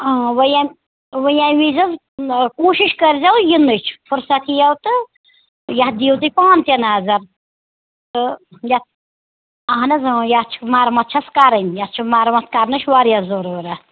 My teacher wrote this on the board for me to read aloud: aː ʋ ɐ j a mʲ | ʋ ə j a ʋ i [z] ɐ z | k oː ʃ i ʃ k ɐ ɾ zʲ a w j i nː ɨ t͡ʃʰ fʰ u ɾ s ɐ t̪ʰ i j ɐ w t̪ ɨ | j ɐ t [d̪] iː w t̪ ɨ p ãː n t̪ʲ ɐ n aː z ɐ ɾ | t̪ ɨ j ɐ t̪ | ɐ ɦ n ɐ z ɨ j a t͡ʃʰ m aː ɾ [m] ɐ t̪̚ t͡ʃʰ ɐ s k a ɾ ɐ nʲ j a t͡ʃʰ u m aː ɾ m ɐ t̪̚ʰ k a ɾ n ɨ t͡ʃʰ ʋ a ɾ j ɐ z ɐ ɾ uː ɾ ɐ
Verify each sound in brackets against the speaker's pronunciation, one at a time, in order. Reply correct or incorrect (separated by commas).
correct, correct, correct